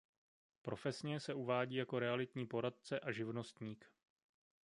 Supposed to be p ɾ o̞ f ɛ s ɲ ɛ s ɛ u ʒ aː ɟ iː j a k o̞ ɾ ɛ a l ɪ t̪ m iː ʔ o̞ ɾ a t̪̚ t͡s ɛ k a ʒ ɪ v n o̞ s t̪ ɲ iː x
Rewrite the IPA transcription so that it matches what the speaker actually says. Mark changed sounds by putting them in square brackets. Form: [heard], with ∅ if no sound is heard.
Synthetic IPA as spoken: p ɾ o̞ f ɛ s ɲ ɛ s ɛ u [v] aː ɟ iː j a k o̞ ɾ ɛ a l ɪ t̪ [ɲ] iː [p] o̞ ɾ a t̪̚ t͡s ɛ [ʔ] a ʒ ɪ v n o̞ s t̪ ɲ iː [k]